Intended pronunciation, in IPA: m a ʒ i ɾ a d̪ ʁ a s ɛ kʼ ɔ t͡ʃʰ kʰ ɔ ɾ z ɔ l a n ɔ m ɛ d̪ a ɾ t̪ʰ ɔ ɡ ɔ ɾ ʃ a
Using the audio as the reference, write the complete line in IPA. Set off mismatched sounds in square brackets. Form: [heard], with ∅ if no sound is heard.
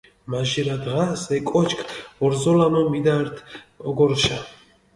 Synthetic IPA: m a ʒ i ɾ a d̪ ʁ a s ɛ kʼ ɔ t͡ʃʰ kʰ ɔ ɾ z ɔ l a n ɔ m [i] d̪ a ɾ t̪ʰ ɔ ɡ ɔ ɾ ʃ a